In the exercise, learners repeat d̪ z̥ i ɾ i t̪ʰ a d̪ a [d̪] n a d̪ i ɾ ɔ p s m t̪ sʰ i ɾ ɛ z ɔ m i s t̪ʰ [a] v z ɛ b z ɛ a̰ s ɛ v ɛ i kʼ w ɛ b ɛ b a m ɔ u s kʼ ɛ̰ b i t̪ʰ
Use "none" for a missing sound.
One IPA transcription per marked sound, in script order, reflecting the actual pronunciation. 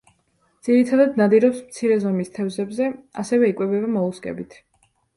d̪, ɛ

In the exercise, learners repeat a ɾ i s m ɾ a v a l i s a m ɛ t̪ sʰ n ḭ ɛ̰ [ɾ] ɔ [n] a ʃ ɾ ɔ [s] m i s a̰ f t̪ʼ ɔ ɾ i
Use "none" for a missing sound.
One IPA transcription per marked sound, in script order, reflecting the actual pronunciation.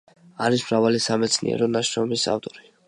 ɾ, n, none

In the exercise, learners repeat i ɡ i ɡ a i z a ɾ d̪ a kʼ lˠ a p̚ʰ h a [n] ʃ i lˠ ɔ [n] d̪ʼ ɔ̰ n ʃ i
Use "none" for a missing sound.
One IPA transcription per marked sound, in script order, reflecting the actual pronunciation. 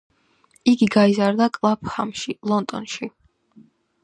m, n

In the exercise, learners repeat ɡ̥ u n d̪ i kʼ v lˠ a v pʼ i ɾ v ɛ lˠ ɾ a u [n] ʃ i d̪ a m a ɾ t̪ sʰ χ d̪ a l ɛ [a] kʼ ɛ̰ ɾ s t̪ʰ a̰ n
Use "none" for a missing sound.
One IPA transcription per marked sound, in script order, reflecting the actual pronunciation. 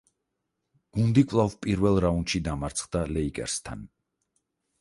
n, i

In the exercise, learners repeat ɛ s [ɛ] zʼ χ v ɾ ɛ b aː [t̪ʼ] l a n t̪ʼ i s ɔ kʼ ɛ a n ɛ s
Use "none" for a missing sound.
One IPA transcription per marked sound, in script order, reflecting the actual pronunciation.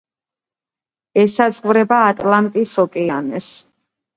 a, t̪ʼ

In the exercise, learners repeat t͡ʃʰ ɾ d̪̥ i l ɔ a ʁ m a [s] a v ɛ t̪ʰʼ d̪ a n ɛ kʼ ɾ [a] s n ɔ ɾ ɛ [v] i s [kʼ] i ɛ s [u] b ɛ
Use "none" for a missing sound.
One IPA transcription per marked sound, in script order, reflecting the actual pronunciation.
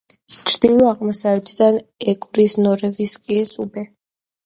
s, i, v, kʼ, u

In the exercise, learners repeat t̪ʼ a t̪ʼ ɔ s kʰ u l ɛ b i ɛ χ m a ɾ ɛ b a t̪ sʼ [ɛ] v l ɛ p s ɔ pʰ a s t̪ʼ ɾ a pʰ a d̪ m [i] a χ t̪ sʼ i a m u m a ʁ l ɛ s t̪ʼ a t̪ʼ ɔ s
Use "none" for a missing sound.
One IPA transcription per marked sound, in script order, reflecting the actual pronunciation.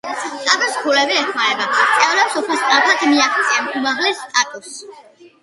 ɛ, i

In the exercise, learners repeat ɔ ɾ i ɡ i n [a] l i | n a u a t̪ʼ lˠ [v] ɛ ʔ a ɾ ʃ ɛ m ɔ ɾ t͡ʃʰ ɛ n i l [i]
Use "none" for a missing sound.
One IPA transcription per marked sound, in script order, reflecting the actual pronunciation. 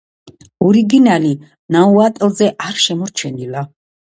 a, z, a

